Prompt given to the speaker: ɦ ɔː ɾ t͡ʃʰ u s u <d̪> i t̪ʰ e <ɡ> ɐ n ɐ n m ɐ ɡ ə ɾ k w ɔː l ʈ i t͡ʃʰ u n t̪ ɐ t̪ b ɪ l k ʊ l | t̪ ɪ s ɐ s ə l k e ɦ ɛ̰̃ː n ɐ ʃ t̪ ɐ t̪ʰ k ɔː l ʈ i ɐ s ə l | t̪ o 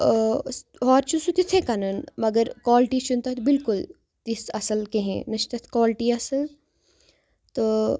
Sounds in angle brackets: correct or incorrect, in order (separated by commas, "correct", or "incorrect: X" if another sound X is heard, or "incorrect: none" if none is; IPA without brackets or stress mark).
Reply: incorrect: t̪, incorrect: k